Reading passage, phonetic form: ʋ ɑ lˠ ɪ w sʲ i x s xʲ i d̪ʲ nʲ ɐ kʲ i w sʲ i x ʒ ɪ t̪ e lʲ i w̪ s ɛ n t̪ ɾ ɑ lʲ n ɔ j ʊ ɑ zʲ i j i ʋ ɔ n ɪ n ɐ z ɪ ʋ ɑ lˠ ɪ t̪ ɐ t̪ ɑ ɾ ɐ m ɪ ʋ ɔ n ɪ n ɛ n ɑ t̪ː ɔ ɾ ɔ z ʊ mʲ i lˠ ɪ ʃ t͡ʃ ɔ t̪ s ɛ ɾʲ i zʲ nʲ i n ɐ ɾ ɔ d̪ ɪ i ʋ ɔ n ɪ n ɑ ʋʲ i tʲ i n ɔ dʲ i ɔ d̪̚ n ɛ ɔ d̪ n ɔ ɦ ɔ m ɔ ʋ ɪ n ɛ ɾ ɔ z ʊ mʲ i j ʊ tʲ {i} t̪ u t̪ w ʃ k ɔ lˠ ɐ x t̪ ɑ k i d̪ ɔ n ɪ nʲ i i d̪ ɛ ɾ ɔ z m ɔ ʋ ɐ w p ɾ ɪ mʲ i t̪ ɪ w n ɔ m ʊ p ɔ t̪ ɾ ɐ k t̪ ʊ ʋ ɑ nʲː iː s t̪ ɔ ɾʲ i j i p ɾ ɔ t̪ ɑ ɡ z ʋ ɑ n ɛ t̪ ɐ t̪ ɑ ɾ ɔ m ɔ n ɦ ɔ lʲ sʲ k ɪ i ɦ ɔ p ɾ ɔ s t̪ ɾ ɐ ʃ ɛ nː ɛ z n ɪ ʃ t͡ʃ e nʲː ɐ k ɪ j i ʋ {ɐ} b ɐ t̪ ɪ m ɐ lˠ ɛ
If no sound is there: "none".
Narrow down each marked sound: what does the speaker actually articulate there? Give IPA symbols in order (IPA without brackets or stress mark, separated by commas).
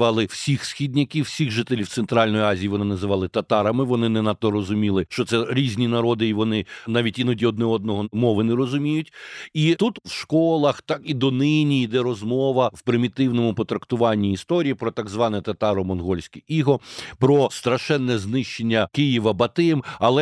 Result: i, ɐ